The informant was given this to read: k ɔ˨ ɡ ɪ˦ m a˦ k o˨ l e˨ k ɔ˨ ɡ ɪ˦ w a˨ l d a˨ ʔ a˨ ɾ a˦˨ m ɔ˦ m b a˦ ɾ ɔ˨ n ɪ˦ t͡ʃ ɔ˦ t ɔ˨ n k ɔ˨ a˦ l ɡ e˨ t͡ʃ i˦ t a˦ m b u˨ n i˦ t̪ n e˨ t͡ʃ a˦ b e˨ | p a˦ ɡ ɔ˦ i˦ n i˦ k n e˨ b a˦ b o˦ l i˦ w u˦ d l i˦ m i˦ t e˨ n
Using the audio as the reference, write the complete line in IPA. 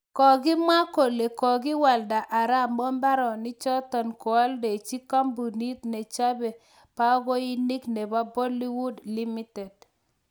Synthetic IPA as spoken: k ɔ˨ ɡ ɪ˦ m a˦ k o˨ l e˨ k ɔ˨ ɡ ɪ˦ w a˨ l d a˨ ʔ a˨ ɾ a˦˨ m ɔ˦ m b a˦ ɾ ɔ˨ n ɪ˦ t͡ʃ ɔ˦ t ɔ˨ n k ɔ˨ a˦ l d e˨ t͡ʃ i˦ k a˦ m b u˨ n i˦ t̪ n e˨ t͡ʃ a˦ b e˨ | p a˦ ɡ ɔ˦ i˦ n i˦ k n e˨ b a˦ b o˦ l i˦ w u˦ d l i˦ m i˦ t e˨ d